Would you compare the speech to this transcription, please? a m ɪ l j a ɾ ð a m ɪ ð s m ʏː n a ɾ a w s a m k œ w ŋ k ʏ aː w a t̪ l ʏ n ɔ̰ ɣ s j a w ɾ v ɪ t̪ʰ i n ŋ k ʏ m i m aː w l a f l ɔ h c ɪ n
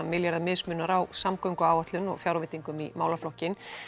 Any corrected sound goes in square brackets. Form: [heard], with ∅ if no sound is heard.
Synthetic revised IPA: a m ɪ l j a ɾ ð a m ɪ ð s m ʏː n a ɾ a w s a m k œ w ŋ k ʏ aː w a t̪ l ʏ n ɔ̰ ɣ [f] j a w ɾ v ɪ [t̪] i [∅] ŋ k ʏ m i m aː w l a f l ɔ h c ɪ n